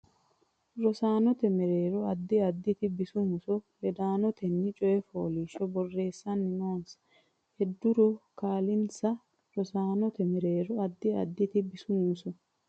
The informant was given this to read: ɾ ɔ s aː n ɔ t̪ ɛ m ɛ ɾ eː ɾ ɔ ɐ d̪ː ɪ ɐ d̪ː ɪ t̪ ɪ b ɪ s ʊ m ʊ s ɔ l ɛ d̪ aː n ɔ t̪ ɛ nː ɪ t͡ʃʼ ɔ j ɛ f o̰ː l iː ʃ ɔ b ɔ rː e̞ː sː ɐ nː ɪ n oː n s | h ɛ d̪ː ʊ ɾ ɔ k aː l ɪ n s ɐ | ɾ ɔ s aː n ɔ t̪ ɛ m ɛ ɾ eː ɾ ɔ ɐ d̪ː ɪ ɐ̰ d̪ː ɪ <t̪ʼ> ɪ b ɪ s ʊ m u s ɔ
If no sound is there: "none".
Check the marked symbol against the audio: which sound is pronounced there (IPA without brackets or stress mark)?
t̪